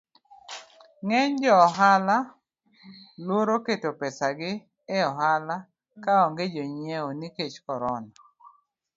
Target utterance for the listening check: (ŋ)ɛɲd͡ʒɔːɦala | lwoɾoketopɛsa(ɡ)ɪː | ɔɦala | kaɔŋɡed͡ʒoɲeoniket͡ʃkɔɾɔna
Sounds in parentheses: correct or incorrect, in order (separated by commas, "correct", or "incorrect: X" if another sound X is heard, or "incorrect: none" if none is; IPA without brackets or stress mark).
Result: correct, correct